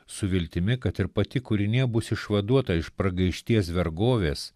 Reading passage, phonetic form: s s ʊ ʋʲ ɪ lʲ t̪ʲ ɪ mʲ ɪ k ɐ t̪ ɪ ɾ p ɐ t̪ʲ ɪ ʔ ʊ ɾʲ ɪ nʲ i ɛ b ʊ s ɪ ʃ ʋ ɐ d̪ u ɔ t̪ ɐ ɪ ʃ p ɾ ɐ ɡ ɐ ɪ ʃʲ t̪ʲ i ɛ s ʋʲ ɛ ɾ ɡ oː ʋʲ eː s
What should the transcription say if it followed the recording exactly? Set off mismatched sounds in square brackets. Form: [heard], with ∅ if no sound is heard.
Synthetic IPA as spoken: s s ʊ ʋʲ ɪ lʲ t̪ʲ ɪ mʲ ɪ k ɐ t̪ ɪ ɾ p ɐ t̪ʲ ɪ [k] ʊ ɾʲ ɪ nʲ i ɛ b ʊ s ɪ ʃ ʋ ɐ d̪ u ɔ t̪ ɐ ɪ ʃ p ɾ ɐ ɡ ɐ ɪ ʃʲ t̪ʲ i ɛ s ʋʲ ɛ ɾ ɡ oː ʋʲ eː s